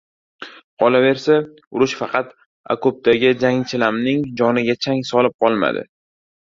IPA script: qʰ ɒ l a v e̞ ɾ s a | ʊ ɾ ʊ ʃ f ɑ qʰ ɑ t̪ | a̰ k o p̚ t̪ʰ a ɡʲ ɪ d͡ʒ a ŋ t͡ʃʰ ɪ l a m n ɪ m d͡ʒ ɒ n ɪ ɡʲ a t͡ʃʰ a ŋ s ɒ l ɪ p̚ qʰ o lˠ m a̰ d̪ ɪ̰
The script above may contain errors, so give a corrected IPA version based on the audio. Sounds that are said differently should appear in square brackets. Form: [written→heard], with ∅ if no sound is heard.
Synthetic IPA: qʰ ɒ l a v e̞ ɾ s a | ʊ ɾ ʊ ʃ f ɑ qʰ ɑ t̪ | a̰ k o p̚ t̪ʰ a ɡʲ ɪ d͡ʒ a ŋ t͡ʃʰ ɪ l a m n ɪ [m→ŋ] d͡ʒ ɒ n ɪ ɡʲ a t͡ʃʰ a ŋ s ɒ l ɪ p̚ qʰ [o→ɒ] lˠ m a̰ d̪ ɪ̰